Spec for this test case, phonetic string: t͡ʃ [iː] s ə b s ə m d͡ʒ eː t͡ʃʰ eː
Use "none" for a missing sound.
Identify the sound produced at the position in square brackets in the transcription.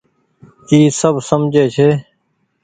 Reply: iː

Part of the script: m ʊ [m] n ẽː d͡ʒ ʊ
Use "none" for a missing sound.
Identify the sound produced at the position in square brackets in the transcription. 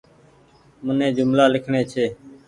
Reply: none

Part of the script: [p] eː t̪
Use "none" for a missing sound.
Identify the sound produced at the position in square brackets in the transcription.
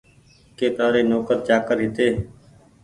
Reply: k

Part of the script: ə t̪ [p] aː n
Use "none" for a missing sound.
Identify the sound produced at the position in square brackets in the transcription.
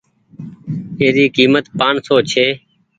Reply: p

